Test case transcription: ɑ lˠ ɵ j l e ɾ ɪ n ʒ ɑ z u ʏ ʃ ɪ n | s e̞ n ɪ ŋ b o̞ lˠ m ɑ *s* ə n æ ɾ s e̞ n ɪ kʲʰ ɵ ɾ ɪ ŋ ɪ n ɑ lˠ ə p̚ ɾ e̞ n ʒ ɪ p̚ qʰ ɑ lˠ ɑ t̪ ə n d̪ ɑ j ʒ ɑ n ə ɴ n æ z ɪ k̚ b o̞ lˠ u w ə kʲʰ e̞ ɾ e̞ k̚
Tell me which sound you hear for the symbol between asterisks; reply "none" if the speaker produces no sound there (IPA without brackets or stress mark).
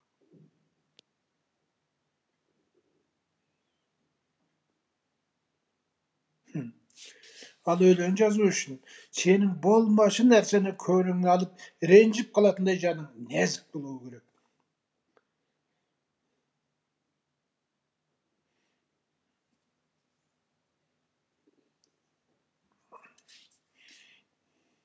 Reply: ʃ